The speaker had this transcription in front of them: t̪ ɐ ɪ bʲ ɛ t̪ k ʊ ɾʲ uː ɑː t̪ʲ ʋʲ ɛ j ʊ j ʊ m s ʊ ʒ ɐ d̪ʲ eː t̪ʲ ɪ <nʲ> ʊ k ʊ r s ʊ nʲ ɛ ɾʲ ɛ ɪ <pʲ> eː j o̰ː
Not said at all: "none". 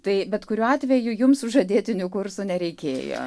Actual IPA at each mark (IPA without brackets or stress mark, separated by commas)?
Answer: nʲ, kʲ